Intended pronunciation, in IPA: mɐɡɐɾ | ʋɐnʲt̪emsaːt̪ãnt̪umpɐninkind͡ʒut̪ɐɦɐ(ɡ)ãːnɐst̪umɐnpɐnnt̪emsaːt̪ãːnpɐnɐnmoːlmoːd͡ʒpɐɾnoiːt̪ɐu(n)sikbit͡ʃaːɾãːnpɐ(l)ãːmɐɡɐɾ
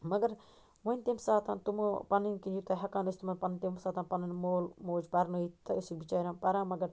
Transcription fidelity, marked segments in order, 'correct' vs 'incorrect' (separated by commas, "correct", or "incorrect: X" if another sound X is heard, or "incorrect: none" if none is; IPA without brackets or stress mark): incorrect: k, incorrect: none, incorrect: ɾ